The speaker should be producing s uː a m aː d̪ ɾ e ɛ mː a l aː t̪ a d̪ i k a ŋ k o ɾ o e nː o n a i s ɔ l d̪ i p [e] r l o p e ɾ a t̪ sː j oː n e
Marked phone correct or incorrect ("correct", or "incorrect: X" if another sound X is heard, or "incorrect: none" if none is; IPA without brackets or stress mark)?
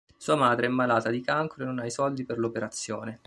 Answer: correct